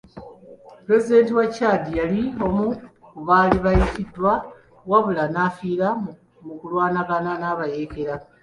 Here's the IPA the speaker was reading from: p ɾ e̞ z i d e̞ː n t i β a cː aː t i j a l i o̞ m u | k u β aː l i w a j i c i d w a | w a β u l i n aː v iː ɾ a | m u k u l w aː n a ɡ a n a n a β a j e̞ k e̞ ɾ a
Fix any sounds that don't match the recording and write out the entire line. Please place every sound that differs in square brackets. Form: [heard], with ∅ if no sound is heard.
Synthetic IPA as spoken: p ɾ e̞ z i d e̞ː n t i [w] a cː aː [d] i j a l i o̞ m u | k u β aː l i [β] a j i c i d w a | w a β u l [a] n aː [f] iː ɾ a | m u k u l w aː n a ɡ a n a n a β a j e̞ k e̞ ɾ a